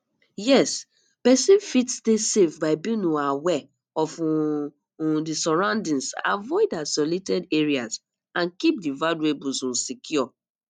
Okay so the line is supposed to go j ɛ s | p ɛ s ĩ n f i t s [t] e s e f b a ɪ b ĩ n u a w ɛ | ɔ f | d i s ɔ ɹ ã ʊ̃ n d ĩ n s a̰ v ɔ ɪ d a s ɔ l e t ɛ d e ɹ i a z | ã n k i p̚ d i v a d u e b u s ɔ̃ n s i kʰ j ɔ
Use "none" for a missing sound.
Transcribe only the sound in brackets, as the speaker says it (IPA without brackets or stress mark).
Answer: t